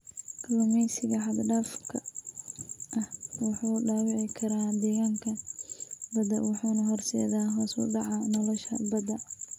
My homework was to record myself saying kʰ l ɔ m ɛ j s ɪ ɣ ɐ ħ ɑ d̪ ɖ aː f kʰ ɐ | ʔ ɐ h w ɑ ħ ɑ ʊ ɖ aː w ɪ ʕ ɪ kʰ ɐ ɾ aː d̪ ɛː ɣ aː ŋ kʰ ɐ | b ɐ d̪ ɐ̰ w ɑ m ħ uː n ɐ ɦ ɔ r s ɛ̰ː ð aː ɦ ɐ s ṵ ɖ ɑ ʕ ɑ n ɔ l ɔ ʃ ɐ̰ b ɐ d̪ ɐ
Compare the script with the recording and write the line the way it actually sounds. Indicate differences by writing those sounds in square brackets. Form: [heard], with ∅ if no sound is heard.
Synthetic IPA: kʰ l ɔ m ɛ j s ɪ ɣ ɐ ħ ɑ d̪ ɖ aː f kʰ ɐ | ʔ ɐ h w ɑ ħ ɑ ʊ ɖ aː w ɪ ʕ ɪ kʰ ɐ ɾ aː d̪ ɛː ɣ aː ŋ kʰ ɐ | b ɐ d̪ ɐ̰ w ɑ [∅] ħ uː n ɐ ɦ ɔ r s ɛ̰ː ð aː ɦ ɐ s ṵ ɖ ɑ ʕ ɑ n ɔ l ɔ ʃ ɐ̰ b ɐ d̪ ɐ